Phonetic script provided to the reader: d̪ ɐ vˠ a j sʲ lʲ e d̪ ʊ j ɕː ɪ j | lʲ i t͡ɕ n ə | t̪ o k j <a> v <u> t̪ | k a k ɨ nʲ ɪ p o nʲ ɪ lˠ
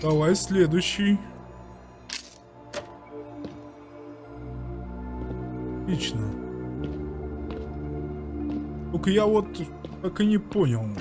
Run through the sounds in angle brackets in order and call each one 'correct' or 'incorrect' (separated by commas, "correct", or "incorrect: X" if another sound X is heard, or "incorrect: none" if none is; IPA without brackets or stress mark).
correct, incorrect: o